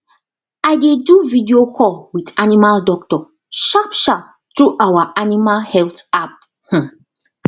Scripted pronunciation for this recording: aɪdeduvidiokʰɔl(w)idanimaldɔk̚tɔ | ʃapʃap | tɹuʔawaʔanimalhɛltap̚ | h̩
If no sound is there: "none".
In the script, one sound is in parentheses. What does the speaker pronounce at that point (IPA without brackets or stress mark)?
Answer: w